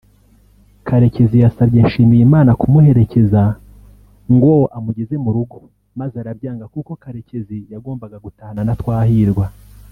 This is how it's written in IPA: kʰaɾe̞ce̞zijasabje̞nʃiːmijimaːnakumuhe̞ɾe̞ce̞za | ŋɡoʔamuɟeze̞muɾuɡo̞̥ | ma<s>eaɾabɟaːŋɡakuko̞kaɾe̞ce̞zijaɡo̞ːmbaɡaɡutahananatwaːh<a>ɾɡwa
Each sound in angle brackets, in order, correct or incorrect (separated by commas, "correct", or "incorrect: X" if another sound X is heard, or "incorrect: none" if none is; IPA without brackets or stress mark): incorrect: z, incorrect: i